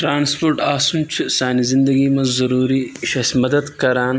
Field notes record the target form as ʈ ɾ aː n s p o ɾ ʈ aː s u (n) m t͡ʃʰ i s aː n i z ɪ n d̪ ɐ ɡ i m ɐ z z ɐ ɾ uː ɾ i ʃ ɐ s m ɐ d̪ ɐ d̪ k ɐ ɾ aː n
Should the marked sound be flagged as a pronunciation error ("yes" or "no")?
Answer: yes